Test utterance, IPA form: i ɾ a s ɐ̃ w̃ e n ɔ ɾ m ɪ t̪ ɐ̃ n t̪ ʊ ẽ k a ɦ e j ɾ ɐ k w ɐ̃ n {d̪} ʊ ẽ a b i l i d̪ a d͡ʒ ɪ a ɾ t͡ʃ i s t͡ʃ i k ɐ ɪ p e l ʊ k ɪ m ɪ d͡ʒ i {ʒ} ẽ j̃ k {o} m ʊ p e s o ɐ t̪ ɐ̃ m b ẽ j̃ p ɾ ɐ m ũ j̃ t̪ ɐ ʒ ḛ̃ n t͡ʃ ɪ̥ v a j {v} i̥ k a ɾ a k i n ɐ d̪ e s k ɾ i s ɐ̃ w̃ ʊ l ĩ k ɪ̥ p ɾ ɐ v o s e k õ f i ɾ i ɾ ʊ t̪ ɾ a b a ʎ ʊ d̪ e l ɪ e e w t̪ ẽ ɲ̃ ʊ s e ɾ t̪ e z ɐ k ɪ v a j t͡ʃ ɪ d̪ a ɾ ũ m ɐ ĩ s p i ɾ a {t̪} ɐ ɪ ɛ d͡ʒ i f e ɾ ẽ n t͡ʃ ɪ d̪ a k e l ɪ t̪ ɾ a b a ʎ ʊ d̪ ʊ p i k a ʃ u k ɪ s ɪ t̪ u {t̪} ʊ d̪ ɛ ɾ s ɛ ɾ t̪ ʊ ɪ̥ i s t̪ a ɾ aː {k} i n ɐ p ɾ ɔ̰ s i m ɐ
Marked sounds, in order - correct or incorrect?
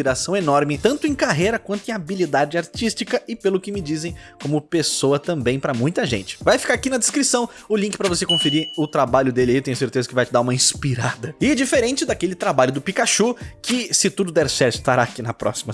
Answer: incorrect: t̪, incorrect: z, incorrect: õ, incorrect: f, incorrect: d̪, incorrect: d̪, correct

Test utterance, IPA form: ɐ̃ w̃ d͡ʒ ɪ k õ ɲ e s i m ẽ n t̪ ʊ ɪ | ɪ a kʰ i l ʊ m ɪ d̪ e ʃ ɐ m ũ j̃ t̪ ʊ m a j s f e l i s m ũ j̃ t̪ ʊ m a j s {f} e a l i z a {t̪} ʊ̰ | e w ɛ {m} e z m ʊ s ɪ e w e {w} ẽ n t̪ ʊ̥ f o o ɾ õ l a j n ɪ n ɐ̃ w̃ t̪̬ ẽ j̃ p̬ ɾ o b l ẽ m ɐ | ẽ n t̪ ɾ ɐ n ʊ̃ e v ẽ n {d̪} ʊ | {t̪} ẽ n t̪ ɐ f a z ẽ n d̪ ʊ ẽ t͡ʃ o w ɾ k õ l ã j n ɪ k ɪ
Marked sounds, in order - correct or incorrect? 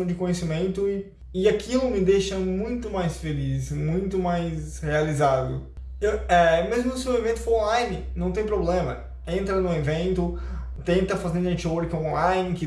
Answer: incorrect: h, incorrect: d̪, correct, incorrect: v, incorrect: t̪, correct

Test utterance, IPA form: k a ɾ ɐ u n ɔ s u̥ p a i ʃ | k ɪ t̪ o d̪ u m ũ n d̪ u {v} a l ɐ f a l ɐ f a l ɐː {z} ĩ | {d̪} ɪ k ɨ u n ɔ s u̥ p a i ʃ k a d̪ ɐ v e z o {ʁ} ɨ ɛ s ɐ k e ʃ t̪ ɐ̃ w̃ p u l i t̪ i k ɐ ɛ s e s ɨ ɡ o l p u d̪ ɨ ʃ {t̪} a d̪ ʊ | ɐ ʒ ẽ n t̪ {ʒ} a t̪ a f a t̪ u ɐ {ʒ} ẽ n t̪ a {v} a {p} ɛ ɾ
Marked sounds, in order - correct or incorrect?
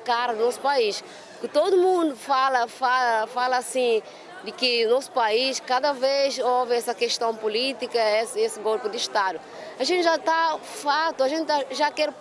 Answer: incorrect: f, incorrect: s, correct, incorrect: v, correct, correct, correct, incorrect: ʒ, incorrect: k

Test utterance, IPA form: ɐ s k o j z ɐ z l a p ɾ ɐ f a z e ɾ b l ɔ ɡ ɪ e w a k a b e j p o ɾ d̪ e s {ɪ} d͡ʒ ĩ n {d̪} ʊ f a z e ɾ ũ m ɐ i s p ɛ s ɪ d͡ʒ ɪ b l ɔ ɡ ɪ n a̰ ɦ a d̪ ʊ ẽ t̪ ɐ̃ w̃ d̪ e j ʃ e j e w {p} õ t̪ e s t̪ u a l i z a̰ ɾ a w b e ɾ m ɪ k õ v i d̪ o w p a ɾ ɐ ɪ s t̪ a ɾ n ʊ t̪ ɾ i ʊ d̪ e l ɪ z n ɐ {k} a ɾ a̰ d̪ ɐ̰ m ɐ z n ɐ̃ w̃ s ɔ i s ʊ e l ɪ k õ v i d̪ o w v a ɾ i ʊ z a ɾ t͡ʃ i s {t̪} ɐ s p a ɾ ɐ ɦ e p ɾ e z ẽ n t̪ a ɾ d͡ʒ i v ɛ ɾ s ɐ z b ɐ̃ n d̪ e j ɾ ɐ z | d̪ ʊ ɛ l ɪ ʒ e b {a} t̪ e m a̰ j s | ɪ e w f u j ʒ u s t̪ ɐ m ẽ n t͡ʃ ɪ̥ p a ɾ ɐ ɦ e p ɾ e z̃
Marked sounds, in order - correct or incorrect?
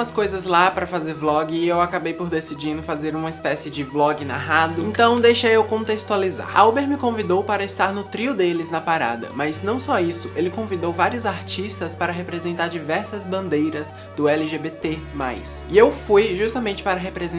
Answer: incorrect: i, correct, incorrect: k, incorrect: p, correct, incorrect: e

